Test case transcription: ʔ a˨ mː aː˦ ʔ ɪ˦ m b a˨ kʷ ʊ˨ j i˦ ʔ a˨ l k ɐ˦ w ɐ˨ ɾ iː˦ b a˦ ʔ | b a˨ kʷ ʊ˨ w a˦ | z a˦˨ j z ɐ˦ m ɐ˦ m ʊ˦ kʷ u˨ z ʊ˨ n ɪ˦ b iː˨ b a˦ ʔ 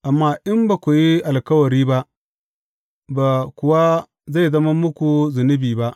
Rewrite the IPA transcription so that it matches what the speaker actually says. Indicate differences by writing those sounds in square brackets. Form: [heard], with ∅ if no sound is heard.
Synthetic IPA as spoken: ʔ a˨ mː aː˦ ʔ ɪ˦ m b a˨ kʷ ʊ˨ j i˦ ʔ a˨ l k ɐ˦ w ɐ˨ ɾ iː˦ b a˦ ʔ | b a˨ kʷ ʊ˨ w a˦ | z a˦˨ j z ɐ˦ m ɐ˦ m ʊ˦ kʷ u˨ z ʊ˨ n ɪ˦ b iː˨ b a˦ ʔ